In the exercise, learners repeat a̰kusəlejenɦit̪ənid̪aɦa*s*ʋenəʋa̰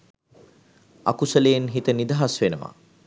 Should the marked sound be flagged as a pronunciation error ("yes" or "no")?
no